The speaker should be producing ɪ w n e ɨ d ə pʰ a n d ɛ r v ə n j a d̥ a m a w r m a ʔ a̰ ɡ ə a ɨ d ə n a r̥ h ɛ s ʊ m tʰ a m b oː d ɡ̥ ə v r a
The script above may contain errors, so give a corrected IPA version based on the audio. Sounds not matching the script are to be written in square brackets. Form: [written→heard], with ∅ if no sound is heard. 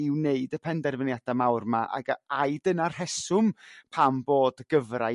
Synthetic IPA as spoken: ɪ w n e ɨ d ə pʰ [a→ɛ] n d ɛ r v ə n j a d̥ a m a w r m a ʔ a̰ ɡ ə a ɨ d ə n a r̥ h ɛ s ʊ m [tʰ→pʰ] a m b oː d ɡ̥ ə v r a